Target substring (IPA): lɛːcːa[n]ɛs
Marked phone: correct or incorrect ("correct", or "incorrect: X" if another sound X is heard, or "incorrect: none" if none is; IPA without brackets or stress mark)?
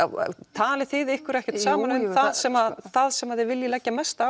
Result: incorrect: m